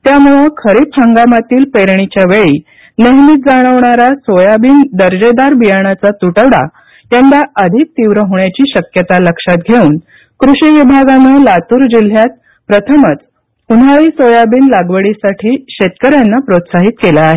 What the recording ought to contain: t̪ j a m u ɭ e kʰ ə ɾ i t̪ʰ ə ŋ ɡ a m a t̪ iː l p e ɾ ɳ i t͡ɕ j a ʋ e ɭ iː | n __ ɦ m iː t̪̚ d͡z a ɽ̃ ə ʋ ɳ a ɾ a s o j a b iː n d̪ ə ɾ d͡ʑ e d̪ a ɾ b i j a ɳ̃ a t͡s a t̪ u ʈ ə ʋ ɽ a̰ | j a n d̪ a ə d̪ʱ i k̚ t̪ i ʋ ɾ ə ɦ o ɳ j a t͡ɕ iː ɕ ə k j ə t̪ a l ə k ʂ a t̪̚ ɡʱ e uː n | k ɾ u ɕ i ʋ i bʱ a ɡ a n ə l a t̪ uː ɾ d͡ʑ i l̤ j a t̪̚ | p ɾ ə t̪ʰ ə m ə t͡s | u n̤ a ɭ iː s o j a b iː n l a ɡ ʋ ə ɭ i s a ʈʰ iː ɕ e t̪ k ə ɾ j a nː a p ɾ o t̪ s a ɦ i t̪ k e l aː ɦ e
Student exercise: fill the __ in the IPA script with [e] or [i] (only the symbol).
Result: e